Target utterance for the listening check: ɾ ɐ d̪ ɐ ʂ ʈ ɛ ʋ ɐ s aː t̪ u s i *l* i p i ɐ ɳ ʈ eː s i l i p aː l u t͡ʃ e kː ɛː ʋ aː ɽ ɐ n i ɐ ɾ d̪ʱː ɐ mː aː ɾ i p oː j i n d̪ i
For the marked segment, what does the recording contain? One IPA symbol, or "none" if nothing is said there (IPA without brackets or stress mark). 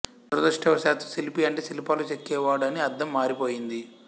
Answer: l